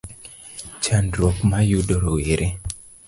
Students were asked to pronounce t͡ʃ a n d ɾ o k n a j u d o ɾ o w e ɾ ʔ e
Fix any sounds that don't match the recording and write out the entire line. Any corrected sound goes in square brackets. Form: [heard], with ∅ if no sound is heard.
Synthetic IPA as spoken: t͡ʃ a n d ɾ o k [m] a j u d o ɾ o w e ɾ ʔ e